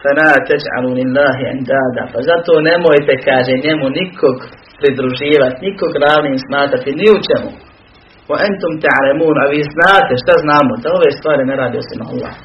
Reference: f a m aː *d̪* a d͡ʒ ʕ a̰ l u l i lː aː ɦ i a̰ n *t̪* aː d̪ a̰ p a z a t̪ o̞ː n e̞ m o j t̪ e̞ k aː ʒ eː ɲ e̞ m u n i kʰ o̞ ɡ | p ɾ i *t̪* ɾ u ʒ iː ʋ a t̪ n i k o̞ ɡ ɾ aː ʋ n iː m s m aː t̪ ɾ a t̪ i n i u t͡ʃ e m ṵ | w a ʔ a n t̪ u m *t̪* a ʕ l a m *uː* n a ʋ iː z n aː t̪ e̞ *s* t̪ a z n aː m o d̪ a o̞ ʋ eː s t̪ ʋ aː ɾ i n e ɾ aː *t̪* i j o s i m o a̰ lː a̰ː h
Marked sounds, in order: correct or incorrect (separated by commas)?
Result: incorrect, incorrect, incorrect, correct, correct, incorrect, incorrect